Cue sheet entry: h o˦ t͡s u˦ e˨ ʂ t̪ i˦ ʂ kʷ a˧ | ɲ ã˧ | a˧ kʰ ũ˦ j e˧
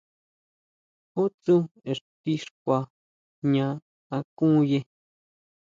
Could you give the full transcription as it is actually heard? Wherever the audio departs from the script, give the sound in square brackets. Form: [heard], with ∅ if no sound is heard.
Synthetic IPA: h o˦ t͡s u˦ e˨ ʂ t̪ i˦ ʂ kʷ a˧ | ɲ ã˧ | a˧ [k] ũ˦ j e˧